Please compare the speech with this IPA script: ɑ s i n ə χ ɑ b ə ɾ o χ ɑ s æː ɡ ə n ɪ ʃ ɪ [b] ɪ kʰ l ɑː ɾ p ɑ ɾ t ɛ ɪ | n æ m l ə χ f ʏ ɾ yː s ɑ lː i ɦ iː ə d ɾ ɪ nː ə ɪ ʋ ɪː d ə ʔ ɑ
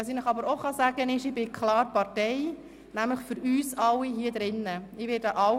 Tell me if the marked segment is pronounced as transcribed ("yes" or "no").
yes